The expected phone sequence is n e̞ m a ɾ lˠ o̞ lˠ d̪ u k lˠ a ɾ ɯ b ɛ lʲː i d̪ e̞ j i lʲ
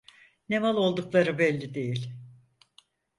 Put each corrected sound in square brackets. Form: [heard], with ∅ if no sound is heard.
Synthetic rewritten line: n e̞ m a [∅] lˠ o̞ lˠ d̪ u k lˠ a ɾ ɯ b ɛ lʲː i d̪ e̞ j i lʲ